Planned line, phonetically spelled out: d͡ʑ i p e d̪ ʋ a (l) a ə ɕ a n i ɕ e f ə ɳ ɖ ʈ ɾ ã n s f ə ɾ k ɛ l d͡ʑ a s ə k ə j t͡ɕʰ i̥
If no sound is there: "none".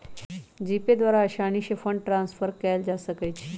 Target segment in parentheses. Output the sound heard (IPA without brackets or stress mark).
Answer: ɾ